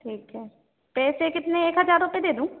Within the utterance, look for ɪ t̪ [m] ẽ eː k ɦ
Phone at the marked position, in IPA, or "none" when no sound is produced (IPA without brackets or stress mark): n